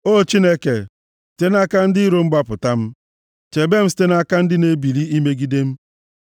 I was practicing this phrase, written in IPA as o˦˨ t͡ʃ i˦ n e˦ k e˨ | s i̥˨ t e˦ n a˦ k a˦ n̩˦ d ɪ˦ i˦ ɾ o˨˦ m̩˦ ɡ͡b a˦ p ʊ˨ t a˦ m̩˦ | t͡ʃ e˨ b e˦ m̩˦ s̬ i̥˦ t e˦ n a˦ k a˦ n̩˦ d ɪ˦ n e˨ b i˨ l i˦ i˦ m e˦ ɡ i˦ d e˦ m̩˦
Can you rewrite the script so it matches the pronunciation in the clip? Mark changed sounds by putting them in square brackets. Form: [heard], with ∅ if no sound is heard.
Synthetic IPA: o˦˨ t͡ʃ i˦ n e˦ k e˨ | s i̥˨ t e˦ n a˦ k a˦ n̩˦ d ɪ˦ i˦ ɾ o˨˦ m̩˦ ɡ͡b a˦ p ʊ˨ t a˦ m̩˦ | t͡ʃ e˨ b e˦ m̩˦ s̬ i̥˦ t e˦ n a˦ k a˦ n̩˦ d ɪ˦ n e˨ b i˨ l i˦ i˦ m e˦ ɡ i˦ d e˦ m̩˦